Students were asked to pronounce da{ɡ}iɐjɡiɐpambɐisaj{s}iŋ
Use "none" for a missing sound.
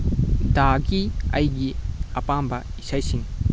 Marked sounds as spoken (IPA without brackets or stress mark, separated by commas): ɡ, s